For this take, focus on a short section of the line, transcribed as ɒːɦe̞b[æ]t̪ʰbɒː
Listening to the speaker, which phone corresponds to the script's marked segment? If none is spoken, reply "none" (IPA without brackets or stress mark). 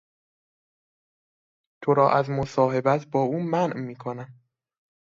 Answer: æ